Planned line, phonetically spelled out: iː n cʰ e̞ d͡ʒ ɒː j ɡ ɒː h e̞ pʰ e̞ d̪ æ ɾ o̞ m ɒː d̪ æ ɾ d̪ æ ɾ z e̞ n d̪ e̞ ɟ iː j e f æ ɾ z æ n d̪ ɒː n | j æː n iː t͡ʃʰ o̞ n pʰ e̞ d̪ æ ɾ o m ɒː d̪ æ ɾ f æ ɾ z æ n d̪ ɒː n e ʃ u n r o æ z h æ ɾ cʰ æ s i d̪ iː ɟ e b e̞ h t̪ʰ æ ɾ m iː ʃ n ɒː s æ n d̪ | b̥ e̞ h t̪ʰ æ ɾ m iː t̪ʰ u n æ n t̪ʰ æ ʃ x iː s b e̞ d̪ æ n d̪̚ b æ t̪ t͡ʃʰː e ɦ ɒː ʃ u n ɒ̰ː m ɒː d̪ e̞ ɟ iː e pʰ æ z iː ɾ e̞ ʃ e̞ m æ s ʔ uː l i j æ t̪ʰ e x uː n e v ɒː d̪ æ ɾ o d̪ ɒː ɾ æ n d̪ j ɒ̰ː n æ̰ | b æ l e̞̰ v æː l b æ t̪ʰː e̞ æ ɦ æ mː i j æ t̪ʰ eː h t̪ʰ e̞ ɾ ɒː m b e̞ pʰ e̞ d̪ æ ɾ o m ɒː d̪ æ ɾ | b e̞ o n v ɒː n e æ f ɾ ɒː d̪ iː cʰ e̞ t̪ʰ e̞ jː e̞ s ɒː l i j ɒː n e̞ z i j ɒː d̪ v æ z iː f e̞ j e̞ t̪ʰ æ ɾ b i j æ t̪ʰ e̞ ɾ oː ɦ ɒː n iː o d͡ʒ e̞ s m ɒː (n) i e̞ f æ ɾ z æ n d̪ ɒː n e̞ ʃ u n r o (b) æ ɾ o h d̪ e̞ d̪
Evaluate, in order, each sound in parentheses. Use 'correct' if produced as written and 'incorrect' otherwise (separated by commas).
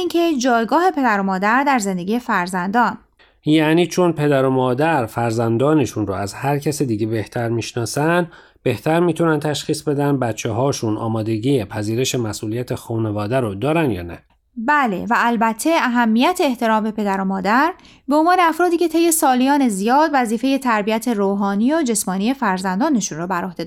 correct, correct